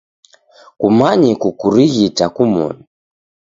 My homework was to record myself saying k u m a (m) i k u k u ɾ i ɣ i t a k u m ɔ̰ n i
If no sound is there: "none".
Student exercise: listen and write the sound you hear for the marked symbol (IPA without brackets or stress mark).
ɲ